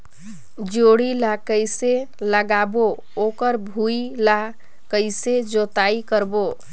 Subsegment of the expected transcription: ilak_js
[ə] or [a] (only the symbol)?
ə